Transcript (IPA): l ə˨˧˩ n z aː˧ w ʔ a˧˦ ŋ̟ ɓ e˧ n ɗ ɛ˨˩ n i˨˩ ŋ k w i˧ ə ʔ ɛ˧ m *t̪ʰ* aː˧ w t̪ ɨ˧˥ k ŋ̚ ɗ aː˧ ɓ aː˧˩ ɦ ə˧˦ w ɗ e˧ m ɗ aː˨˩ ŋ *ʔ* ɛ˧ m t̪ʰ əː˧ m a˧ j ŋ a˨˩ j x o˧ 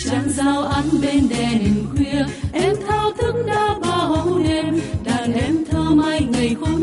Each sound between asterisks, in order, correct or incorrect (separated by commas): correct, correct